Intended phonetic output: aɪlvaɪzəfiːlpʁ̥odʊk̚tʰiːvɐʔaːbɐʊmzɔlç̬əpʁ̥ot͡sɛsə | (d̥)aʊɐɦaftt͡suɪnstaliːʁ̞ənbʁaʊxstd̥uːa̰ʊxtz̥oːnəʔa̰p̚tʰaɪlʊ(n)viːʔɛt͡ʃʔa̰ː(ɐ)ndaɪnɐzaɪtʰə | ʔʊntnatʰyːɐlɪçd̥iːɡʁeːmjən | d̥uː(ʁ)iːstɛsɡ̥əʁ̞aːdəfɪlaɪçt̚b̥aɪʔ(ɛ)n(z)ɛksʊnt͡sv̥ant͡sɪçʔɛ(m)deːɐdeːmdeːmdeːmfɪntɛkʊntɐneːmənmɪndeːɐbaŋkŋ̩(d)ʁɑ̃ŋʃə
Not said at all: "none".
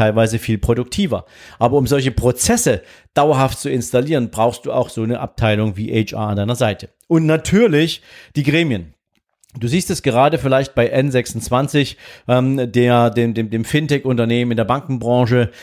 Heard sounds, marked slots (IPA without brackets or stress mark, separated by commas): d̥, ŋ, a, z, ɛ, z, m, b